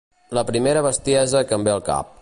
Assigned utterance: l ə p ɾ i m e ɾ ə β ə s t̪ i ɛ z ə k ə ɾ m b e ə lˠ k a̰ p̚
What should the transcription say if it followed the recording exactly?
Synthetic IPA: l ə p ɾ i m e ɾ ə β ə s t̪ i ɛ z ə k ə m b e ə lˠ k a̰ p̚